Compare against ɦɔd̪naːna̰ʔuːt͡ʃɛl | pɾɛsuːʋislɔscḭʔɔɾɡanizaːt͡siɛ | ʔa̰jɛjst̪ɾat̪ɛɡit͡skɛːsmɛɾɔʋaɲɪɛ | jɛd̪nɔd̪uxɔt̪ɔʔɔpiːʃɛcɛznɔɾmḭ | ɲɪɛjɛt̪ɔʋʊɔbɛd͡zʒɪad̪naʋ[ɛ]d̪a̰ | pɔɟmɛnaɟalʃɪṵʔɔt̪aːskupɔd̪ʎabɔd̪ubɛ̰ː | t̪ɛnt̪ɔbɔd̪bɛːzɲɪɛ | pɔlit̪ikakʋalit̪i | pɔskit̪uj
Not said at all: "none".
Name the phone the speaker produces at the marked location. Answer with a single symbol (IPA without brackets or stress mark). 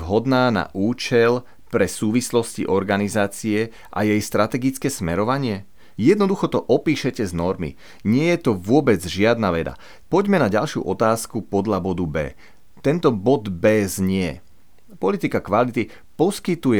ɛ